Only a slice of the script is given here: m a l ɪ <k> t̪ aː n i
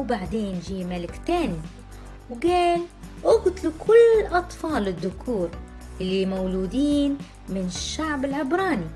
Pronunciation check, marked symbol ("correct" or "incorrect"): correct